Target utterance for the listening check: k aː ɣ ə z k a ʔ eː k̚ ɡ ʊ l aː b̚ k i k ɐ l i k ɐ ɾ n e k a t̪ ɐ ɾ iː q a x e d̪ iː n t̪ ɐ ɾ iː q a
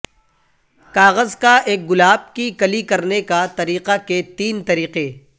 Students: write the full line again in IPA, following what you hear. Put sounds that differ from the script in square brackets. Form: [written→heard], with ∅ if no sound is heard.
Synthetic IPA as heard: k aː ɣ ə z k a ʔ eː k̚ ɡ ʊ l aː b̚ k i k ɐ l i k ɐ ɾ n e k a t̪ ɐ ɾ iː q a [x→k] e [d̪→t̪] iː n t̪ ɐ ɾ iː q [a→e]